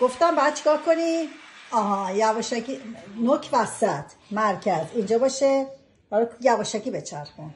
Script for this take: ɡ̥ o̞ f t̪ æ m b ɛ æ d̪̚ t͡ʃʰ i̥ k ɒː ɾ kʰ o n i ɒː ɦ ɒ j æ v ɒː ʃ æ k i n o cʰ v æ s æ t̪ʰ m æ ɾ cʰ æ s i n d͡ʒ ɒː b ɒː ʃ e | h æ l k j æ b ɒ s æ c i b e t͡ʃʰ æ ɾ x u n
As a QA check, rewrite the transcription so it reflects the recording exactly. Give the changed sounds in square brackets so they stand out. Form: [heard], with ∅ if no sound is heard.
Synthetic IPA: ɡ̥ o̞ f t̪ æ m b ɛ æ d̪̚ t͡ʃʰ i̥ k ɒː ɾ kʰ o n i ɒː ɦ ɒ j æ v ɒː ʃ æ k i n o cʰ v æ s æ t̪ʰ m æ ɾ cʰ æ [z] i n d͡ʒ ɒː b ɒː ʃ e | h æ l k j æ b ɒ [ʃ] æ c i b e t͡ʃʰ æ ɾ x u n

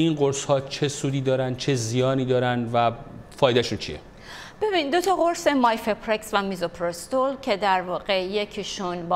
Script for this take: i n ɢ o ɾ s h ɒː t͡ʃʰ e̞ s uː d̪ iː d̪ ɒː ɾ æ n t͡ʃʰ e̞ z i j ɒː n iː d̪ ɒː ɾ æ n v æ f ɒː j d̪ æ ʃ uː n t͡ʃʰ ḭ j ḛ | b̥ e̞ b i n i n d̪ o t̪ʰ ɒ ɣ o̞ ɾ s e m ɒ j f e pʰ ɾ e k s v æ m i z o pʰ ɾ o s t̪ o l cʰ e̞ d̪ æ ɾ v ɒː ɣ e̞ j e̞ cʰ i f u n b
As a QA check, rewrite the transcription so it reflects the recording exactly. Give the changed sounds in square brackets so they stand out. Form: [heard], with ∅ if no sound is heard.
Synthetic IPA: i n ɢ o ɾ s h ɒː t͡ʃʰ e̞ s uː d̪ iː d̪ ɒː ɾ æ n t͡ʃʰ e̞ z i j ɒː n iː d̪ ɒː ɾ æ n v æ f ɒː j d̪ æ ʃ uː n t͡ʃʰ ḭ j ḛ | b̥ e̞ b i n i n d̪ o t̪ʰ ɒ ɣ o̞ ɾ s e m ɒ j f e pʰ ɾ e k s v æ m i z o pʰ ɾ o s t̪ o l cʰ e̞ d̪ æ ɾ v ɒː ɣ e̞ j e̞ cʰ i [ʃ] u n b

